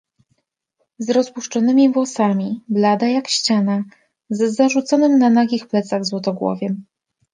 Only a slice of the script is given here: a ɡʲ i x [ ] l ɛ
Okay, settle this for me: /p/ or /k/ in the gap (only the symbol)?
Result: p